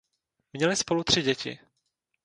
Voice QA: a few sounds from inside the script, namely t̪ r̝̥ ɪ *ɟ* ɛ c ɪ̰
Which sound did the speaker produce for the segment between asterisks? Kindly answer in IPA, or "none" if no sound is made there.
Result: ɟ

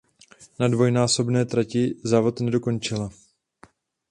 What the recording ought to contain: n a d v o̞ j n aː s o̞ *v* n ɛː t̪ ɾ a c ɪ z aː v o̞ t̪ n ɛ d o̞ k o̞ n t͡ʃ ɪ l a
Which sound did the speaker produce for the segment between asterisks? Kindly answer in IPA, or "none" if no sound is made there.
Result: b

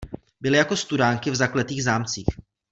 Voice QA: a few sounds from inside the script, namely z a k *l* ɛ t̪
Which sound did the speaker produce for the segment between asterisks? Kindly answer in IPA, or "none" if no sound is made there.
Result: l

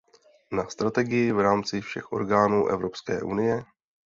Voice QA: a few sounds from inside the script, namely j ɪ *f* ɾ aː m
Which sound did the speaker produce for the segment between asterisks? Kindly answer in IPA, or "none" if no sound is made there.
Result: v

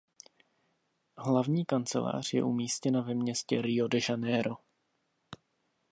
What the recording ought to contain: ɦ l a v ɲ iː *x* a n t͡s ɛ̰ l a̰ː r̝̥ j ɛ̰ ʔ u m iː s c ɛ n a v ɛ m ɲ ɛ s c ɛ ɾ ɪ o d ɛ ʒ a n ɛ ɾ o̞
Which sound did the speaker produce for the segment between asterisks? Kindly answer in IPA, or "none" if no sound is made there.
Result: k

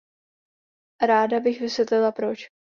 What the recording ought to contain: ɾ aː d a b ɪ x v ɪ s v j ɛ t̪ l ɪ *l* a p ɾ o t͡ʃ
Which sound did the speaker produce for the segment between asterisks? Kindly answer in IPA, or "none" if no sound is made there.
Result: l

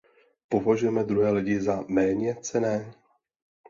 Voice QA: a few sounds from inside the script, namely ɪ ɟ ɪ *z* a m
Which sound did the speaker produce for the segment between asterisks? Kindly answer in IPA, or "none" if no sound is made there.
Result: z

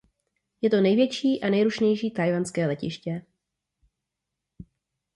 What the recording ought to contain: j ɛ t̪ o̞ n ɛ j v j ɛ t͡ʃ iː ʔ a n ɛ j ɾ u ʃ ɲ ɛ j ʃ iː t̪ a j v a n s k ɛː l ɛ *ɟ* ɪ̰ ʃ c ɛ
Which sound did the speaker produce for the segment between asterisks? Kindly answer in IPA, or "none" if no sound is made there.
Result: c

